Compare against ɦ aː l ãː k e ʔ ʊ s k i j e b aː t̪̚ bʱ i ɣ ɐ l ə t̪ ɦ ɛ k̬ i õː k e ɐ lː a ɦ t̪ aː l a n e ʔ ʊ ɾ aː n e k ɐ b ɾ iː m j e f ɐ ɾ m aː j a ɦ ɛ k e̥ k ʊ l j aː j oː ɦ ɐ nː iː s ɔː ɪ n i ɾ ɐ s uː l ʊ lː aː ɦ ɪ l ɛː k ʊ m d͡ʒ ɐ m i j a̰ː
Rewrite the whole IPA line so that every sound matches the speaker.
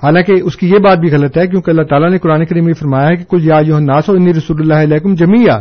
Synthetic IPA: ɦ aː l ãː k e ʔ ʊ s k i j e b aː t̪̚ bʱ i ɣ ɐ l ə t̪ ɦ ɛ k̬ j õː k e ɐ lː a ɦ t̪ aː l a n e k ʊ ɾ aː n e k ɐ ɾ iː m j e f ɐ ɾ m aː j a ɦ ɛ k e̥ k ʊ l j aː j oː ɦ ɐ nː aː s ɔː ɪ n i ɾ ɐ s uː l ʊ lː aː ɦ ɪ l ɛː k ʊ m d͡ʒ ɐ m i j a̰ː